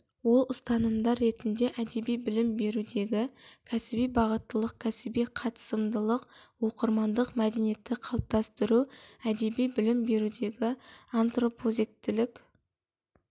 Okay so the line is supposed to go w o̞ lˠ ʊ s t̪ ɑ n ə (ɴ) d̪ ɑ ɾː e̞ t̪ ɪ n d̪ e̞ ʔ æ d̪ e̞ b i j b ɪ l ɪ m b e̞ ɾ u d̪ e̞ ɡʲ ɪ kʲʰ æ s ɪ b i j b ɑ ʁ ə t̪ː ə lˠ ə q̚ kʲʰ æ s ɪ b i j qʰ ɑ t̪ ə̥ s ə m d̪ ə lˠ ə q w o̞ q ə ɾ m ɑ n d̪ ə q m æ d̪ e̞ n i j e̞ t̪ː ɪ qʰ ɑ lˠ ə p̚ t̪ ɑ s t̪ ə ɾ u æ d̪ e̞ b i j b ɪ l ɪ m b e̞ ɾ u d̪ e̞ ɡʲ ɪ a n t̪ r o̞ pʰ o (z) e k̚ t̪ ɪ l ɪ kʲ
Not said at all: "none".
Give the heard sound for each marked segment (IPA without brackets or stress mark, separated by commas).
m, z